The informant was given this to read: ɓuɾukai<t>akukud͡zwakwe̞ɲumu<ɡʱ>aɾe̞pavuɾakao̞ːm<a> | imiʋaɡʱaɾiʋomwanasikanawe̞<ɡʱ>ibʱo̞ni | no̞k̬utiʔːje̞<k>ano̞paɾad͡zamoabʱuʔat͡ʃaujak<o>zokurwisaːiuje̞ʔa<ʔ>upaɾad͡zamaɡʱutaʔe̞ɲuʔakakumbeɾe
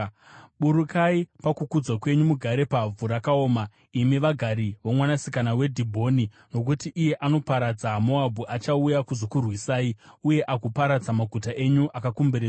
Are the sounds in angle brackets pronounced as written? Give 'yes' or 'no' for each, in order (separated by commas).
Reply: no, yes, yes, no, no, no, no